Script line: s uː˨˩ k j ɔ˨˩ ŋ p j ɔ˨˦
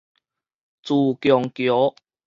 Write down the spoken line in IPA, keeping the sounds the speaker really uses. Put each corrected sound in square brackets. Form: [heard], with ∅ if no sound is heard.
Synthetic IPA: [t͡s] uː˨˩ k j ɔ˨˩ ŋ [k] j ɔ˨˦

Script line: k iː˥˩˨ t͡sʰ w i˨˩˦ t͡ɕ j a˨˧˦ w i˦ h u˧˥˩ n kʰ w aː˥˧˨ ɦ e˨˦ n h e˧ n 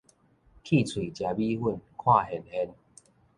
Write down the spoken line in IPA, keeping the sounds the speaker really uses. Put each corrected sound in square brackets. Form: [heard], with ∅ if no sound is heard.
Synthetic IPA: [kʰ] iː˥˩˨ t͡sʰ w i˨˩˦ t͡ɕ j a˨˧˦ [b] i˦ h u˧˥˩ n kʰ w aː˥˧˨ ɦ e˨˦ n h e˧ n

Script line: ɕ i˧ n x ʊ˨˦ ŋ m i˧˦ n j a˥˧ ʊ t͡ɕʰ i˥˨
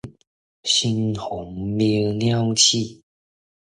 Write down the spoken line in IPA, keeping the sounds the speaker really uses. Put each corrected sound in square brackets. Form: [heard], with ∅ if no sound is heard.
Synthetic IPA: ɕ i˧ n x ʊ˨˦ ŋ m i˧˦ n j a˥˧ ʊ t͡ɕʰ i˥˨

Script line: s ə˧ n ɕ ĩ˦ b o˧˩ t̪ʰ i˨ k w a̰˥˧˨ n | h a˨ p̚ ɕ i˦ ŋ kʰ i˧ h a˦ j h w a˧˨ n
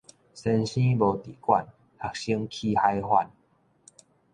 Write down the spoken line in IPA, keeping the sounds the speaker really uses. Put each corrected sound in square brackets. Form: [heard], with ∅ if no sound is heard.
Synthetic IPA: s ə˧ n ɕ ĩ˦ b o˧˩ [t̪] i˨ k w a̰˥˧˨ n | h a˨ [k̚] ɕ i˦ ŋ kʰ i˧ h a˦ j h w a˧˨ n

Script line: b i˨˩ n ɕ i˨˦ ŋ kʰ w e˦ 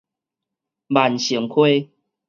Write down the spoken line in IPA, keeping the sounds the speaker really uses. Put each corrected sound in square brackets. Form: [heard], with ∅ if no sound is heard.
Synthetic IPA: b [a˨˩] n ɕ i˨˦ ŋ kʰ w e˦

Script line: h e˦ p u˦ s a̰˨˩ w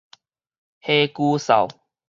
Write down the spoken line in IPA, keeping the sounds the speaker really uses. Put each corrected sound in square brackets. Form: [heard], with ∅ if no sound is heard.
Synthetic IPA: h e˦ [k] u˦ s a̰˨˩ w

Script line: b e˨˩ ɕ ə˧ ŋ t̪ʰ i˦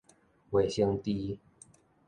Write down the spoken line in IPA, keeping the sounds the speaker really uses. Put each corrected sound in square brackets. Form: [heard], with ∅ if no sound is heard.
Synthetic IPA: [w] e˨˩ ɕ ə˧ ŋ [t̪] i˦

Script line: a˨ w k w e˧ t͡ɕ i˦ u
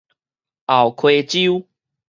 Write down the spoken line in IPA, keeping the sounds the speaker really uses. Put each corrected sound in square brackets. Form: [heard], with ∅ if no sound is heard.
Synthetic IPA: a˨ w [kʰ] w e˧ t͡ɕ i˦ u

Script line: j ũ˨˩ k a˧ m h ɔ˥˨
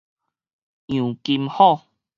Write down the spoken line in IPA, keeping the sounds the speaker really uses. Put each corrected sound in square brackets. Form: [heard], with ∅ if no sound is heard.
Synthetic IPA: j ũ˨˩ k [i˧] m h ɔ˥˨

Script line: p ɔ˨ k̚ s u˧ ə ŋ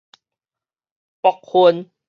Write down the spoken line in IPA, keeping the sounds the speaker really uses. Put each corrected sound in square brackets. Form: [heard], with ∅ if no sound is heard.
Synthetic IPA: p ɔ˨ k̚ [h] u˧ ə [n]

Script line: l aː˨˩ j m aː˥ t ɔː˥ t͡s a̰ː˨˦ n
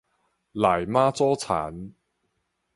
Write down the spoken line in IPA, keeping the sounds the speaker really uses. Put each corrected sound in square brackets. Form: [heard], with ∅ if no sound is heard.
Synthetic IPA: l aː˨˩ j m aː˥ [t͡s] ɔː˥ [t͡sʰ] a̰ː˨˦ n

